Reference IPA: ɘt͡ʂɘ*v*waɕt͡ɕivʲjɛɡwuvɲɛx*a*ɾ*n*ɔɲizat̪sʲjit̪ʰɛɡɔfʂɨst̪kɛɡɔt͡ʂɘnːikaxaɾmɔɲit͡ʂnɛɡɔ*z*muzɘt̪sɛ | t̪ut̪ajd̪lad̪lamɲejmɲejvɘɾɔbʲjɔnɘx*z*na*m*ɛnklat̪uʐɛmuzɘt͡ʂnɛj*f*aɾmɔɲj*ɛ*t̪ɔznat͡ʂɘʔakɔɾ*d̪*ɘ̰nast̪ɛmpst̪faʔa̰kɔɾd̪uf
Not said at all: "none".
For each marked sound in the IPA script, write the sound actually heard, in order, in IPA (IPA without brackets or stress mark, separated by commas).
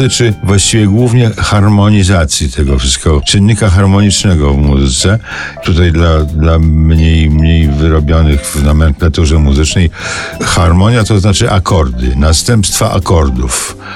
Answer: v, a, m, v, v, m, x, a, d̪